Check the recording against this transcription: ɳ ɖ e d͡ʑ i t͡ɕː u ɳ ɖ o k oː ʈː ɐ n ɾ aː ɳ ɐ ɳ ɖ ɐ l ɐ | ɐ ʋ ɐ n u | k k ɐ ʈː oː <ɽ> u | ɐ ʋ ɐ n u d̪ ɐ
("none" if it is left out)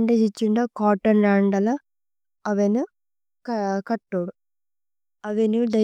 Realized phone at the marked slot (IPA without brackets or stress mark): ɽ